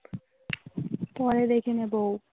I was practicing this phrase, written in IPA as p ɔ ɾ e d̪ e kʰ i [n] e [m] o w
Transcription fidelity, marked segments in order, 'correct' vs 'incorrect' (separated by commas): correct, incorrect